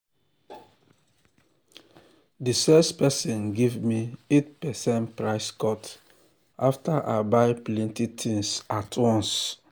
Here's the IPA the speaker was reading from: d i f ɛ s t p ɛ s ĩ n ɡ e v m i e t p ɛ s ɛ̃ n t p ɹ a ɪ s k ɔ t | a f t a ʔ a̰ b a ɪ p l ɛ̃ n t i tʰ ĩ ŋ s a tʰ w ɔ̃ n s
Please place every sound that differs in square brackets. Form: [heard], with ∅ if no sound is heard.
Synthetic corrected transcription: d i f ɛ s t p ɛ s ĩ n ɡ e v m i e t p ɛ s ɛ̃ n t p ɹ a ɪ s k ɔ t | a f t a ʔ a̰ b a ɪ p l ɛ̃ n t i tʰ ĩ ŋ s a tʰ w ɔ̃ n s